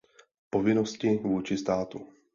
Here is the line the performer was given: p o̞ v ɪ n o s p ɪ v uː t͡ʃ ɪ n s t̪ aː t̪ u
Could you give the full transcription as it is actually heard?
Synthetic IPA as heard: p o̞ v ɪ n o s c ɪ v uː t͡ʃ ɪ s t̪ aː t̪ u